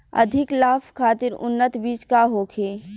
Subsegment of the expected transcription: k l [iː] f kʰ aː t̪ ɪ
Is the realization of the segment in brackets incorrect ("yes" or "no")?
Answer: yes